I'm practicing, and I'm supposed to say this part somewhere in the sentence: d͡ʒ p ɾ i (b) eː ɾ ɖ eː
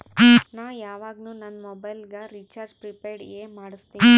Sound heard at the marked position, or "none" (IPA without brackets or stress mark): p